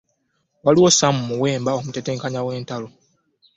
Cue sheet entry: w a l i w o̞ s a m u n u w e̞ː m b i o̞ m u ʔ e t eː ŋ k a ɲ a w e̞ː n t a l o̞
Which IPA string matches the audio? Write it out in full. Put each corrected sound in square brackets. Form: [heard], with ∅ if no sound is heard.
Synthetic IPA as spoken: w a l i w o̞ s a m u [m] u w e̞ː m b [a] o̞ m u [t] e t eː ŋ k a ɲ a w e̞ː n t a l o̞

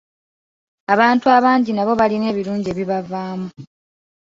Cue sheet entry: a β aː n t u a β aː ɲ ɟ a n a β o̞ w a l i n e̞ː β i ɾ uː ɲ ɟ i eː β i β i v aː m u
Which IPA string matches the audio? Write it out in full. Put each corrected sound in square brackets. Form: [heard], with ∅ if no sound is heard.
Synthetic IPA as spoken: a β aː n t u a β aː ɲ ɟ [i] n a β o̞ [β] a l i n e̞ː β i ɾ uː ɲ ɟ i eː β i β [a] v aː m u

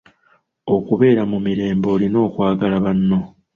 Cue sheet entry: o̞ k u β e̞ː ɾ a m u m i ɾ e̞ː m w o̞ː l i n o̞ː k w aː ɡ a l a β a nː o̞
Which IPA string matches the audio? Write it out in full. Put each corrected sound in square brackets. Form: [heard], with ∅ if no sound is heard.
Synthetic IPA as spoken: o̞ k u β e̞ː ɾ a m u m i ɾ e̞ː m [b] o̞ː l i n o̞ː k w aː ɡ a l a β a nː o̞

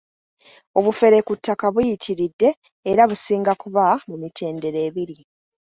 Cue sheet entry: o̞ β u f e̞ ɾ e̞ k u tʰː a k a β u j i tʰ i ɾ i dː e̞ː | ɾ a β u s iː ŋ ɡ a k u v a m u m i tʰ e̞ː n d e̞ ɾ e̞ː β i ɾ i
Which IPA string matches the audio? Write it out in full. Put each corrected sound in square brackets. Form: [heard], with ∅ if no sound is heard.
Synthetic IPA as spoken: o̞ β u f e̞ ɾ e̞ k u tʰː a k a β u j i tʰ i ɾ i dː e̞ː | ɾ a β u s iː ŋ ɡ a k u [β] a m u m i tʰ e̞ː n d e̞ ɾ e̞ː β i ɾ i

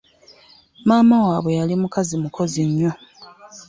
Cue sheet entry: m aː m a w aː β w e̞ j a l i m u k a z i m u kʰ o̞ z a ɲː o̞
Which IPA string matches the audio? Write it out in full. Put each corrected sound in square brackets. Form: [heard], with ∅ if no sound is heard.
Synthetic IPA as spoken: m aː m a w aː β w e̞ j a l i m u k a z i m u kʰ o̞ z [i] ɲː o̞

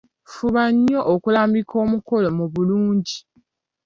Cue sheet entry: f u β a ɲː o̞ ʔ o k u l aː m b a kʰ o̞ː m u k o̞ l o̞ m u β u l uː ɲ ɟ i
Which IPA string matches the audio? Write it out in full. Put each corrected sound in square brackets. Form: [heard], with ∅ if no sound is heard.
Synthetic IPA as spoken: f u β a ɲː o̞ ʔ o k u l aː m b [i] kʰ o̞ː m u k o̞ l o̞ m u β u l uː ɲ ɟ i

